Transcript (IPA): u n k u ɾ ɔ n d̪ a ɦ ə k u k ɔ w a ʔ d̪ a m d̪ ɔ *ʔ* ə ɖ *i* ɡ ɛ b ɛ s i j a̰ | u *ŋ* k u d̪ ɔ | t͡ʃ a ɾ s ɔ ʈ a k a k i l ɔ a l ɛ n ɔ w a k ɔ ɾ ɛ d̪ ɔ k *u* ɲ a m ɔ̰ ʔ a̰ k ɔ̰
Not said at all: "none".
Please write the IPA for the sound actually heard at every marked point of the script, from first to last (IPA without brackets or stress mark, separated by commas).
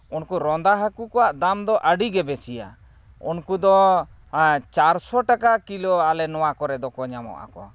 ʔ, i, n, ɔ